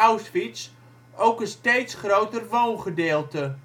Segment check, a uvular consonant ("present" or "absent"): present